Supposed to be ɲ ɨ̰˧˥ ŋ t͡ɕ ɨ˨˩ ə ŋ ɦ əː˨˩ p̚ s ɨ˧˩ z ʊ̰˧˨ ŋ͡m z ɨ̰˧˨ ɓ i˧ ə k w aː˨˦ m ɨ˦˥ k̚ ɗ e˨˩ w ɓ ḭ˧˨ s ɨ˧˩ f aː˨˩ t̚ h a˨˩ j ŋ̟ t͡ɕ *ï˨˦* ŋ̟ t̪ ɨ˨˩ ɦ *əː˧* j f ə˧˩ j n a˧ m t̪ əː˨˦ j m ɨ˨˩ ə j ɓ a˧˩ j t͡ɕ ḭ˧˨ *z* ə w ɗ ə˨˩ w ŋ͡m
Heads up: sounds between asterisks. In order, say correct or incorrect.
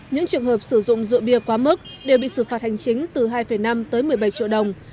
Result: correct, incorrect, incorrect

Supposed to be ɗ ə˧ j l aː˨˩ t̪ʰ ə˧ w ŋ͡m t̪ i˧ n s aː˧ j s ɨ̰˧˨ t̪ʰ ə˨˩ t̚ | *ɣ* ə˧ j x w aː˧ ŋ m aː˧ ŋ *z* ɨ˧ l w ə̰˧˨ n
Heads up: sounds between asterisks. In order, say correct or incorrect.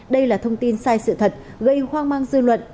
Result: correct, correct

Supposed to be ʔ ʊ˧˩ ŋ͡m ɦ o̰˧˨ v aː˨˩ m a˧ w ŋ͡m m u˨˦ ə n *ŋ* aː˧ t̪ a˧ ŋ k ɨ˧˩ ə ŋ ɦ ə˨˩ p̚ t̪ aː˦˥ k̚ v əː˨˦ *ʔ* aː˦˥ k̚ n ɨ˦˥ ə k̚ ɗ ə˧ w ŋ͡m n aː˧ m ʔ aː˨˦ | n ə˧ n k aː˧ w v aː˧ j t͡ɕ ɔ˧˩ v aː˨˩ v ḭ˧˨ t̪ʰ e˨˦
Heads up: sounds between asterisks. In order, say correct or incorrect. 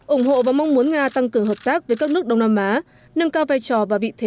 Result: correct, incorrect

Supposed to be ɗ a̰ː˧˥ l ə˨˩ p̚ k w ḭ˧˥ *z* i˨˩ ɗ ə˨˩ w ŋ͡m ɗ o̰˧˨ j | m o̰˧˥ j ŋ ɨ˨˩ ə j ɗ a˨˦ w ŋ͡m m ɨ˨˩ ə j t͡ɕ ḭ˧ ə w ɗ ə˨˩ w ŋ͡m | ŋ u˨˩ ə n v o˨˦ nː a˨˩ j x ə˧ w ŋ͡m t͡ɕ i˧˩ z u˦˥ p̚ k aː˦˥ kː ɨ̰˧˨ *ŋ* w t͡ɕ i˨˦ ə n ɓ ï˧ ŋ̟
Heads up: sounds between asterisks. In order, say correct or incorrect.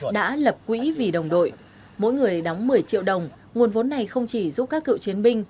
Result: incorrect, incorrect

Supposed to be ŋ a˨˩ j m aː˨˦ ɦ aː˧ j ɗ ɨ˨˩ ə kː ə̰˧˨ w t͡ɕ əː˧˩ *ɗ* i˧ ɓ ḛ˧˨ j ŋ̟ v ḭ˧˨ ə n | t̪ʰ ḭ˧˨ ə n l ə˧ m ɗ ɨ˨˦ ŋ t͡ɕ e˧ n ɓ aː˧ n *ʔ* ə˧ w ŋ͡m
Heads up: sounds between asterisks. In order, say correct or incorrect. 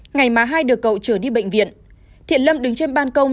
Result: correct, incorrect

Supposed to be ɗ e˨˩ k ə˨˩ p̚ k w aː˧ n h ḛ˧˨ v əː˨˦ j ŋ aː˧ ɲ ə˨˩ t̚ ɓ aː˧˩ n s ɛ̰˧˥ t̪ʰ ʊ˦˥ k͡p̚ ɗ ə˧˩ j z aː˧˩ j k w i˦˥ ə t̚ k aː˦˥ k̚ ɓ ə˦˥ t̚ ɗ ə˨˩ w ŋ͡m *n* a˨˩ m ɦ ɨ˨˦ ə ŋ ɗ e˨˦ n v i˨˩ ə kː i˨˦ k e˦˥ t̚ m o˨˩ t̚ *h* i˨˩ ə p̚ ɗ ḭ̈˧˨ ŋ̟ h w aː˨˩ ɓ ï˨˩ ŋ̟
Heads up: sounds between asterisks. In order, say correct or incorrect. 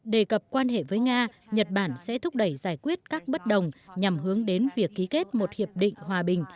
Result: incorrect, correct

